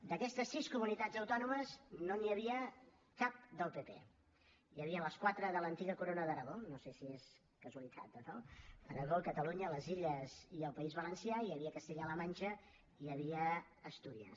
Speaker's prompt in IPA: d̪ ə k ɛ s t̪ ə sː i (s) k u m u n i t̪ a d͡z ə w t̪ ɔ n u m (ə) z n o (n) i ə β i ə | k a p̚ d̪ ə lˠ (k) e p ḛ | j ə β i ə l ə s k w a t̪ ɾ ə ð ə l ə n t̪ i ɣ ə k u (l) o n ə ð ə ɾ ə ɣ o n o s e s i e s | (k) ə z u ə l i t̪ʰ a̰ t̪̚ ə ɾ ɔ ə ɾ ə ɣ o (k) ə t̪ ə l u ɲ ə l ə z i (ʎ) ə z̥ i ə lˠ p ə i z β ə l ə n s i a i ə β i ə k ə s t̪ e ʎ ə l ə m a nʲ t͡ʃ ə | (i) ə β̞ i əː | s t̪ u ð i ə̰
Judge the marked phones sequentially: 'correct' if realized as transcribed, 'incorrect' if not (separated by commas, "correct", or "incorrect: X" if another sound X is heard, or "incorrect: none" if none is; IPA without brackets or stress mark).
correct, correct, correct, incorrect: p, incorrect: ɾ, correct, correct, correct, correct